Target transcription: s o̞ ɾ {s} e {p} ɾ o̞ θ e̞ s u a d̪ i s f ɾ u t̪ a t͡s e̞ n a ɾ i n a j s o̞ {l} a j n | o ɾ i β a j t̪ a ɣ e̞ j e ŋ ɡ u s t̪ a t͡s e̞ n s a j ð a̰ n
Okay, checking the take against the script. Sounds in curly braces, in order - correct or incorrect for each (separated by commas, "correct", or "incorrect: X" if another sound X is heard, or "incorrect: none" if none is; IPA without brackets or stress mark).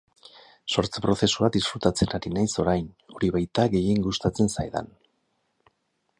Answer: incorrect: t͡s, correct, incorrect: ɾ